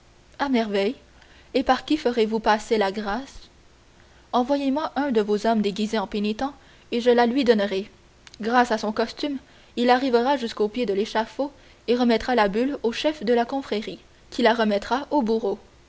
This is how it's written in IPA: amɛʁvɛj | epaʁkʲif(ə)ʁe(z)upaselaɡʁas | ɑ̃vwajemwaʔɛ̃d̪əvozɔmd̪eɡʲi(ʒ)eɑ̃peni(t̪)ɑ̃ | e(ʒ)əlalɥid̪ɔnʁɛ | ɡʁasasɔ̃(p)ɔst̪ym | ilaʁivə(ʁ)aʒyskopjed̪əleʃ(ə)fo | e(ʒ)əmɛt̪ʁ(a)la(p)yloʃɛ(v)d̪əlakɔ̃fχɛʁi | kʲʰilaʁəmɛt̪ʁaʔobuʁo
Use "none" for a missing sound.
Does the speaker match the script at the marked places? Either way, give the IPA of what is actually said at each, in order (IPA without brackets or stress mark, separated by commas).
ə, v, z, t̪, ʒ, k, ʁ, a, ʁ, a, b, f